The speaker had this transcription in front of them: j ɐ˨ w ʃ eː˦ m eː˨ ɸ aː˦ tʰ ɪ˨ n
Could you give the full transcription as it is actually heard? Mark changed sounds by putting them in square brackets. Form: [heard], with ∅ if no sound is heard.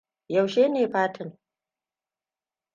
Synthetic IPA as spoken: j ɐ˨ w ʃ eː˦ [n] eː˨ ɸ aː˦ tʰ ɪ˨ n

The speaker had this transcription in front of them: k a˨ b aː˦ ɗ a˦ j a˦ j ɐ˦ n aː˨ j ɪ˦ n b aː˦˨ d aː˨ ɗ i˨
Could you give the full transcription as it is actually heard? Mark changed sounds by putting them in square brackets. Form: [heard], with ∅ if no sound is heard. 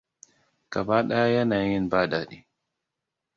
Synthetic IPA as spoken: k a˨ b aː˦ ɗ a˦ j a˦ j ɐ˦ n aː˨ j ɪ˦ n b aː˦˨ d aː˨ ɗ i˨

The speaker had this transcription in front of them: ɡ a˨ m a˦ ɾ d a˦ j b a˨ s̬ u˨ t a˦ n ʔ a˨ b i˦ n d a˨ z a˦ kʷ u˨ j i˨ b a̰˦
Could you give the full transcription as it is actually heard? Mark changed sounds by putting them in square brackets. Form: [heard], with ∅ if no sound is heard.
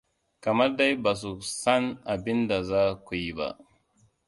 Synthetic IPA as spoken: [k] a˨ m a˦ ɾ d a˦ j b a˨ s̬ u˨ [s] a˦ n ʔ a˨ b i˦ n d a˨ z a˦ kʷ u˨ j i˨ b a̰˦

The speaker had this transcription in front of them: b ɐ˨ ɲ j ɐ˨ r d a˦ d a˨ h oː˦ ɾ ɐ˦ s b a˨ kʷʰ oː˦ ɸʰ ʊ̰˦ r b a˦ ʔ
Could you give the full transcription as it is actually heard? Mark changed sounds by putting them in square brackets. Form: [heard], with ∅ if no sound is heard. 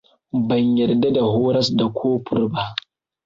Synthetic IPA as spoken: b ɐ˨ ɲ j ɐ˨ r d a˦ d a˨ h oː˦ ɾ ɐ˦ s [d] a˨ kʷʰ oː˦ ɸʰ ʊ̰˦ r b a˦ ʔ

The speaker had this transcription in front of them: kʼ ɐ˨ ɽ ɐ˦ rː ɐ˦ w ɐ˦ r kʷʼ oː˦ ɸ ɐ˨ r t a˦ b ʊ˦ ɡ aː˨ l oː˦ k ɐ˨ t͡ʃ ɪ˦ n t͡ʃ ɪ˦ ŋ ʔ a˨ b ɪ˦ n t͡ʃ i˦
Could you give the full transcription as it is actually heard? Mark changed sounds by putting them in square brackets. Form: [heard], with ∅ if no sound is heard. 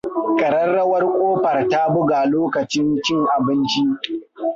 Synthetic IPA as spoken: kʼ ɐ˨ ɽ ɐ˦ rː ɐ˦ w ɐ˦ r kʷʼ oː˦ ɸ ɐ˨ r t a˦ b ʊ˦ ɡ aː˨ l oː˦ k ɐ˨ t͡ʃ ɪ˦ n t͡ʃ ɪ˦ ŋ ʔ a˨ b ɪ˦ n t͡ʃ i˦

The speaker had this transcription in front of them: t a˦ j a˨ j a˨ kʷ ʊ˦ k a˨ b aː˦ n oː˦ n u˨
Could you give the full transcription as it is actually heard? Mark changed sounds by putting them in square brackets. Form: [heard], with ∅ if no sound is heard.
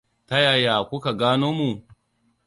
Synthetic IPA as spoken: t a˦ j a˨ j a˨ kʷ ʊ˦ k a˨ [ɡ] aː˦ n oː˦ [m] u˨

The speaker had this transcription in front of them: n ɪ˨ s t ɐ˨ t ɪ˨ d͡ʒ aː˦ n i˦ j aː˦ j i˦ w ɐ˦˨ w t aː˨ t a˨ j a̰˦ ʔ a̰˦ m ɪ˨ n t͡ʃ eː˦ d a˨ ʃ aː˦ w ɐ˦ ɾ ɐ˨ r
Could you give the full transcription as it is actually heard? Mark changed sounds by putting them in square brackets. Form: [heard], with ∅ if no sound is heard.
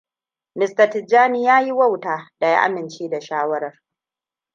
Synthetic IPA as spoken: n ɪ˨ s t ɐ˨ t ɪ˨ d͡ʒ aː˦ n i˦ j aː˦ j i˦ w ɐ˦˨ w t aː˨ [d] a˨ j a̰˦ ʔ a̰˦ m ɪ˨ n t͡ʃ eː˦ d a˨ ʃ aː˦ w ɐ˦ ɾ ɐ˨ r

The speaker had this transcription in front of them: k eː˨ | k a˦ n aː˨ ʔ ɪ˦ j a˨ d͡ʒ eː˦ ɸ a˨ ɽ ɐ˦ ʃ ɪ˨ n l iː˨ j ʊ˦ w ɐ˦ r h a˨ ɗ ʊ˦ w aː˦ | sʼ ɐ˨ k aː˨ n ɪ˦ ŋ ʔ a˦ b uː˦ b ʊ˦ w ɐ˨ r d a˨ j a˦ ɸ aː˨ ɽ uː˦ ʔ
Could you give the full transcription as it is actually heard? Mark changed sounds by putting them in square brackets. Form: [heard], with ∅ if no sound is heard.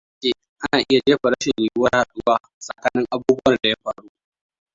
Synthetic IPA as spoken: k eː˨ | [ʔ] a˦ n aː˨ ʔ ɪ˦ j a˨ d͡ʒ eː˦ ɸ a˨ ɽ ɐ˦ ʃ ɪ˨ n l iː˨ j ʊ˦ w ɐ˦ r h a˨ ɗ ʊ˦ w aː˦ | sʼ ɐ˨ k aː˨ n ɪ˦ ŋ ʔ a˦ b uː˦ b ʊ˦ w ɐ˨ r d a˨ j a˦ ɸ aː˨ ɽ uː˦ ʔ

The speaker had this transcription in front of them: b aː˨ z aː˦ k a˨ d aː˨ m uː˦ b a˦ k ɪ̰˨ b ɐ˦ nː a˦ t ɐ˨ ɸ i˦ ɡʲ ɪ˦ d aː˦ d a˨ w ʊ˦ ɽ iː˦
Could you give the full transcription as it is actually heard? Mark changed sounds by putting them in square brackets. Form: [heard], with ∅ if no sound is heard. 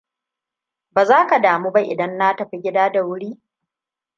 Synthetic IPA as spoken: b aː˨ z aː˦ k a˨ d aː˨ m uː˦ b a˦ [ʔ] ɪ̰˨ [d] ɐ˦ nː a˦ t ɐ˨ ɸ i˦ ɡʲ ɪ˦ d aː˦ d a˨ w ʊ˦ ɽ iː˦

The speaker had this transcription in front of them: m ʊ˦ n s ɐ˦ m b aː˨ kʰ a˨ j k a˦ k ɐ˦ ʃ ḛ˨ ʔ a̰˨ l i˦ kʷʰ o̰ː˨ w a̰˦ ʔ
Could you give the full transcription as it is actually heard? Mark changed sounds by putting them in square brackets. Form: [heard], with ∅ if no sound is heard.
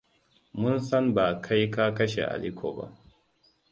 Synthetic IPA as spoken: m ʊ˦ n s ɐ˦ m b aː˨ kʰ [a˦] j k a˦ k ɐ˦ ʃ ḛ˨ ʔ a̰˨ l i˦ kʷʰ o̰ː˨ [b] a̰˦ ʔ

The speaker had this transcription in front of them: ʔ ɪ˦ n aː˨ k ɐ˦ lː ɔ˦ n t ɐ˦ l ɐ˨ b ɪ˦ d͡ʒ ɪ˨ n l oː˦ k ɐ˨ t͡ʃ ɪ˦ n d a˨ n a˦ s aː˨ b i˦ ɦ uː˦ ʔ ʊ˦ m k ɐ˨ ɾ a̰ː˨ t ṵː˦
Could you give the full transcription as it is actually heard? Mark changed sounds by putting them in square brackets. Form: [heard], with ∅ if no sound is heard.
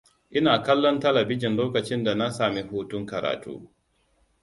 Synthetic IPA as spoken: ʔ ɪ˦ n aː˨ k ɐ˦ lː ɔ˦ n t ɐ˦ l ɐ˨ b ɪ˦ d͡ʒ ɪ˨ n l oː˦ k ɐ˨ t͡ʃ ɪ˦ n d a˨ n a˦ s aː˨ [m] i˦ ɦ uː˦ [t] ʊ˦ [ŋ] k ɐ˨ ɾ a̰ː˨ t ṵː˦

